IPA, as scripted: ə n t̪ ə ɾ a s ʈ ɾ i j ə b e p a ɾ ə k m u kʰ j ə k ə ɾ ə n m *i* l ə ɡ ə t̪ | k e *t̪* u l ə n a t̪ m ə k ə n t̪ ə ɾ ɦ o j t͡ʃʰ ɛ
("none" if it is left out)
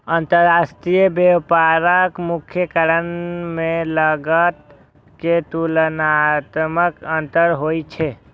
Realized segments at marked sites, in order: e, t̪

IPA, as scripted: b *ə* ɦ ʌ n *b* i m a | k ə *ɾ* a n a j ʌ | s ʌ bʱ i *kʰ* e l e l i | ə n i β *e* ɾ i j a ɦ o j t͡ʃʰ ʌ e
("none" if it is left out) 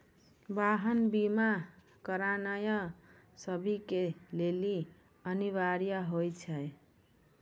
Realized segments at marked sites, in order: a, b, ɾ, k, a

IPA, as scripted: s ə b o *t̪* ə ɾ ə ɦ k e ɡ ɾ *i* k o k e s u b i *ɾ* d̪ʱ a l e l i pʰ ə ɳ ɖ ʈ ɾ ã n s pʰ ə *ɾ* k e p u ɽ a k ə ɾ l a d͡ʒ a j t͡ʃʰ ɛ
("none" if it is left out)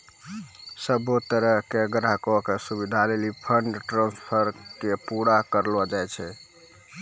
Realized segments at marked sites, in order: t̪, a, none, ɾ

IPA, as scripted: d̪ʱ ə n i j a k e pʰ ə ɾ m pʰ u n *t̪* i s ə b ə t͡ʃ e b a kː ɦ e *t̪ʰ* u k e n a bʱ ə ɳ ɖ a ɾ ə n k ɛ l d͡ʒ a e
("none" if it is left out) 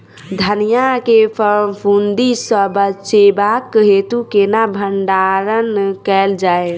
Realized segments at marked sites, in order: d̪, t̪

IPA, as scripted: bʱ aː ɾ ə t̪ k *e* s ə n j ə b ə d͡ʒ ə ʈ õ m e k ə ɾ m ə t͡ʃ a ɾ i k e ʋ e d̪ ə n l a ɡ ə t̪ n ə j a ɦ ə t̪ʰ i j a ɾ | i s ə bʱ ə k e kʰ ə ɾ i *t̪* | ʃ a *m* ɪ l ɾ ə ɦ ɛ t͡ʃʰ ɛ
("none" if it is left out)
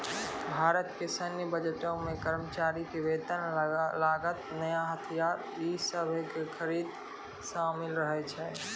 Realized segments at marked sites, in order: e, d̪, m

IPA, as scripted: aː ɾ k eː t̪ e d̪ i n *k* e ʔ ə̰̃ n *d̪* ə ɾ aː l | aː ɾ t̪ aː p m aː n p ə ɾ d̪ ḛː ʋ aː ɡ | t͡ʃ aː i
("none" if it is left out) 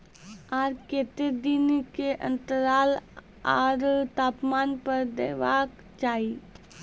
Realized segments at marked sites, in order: k, t̪

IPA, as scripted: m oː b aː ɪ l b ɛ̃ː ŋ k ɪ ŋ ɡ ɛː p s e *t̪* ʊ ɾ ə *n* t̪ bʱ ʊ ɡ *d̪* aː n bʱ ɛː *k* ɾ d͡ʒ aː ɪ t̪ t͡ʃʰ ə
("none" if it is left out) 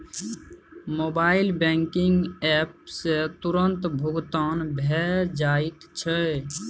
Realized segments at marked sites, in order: t̪, n, t̪, none

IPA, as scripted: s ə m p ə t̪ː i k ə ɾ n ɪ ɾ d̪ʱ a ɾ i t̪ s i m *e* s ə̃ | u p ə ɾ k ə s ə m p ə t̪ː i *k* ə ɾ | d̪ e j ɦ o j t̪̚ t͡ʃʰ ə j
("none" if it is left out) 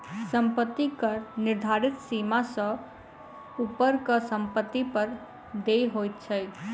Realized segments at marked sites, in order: a, p

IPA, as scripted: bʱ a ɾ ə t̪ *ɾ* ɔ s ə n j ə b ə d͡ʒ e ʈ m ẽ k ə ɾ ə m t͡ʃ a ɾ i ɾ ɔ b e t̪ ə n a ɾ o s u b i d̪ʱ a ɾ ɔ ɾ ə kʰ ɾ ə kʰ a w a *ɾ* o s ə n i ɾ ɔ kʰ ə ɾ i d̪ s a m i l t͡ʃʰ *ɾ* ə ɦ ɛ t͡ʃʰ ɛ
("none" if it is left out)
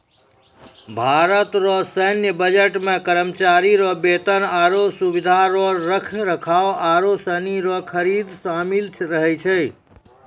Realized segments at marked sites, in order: ɾ, ɾ, ɾ

